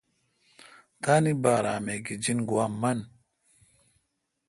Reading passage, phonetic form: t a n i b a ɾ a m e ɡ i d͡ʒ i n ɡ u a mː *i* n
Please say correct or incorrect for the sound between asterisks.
incorrect